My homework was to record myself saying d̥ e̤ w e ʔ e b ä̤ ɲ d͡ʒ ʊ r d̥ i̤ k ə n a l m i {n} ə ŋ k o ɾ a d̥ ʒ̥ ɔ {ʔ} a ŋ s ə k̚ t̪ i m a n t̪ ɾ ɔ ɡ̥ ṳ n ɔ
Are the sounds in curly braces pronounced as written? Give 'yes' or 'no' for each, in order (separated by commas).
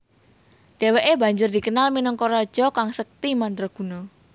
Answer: yes, no